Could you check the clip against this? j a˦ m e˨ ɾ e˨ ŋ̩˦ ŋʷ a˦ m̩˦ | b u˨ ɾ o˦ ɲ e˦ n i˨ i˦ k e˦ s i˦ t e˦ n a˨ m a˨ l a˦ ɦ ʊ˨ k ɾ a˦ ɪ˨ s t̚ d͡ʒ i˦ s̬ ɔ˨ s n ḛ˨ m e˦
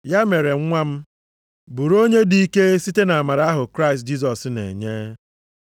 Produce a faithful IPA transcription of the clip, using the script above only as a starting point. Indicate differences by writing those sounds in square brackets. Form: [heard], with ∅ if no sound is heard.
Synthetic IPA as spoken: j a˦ m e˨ ɾ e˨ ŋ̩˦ ŋʷ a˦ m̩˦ | b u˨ ɾ o˦ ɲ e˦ [d] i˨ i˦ k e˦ s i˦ t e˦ n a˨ m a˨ [ɾ] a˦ ɦ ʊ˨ k ɾ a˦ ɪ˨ s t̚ d͡ʒ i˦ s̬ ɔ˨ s n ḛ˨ [ɲ] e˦